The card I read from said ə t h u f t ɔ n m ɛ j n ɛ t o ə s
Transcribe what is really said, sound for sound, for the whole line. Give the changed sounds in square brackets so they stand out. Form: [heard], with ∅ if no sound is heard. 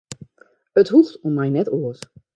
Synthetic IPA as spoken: ə t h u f t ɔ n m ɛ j n ɛ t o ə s